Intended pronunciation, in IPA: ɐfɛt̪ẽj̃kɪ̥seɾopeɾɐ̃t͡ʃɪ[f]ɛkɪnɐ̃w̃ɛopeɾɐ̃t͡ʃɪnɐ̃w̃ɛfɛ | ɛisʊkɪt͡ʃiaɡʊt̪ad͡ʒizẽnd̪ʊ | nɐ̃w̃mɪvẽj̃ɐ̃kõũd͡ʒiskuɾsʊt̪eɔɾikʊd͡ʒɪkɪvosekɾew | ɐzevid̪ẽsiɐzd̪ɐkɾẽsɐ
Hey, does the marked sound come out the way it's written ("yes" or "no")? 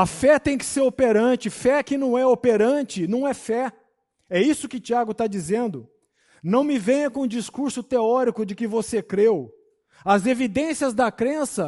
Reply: yes